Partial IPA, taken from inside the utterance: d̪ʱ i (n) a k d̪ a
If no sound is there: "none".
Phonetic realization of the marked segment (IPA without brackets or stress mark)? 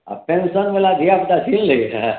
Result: none